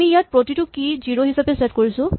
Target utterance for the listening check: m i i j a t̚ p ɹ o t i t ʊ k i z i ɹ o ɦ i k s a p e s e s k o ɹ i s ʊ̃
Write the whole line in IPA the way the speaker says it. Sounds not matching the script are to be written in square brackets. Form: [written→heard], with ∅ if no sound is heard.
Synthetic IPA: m i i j a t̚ p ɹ o t i t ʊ k i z i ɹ o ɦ i [k→∅] s a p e s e [s→t] k o ɹ i s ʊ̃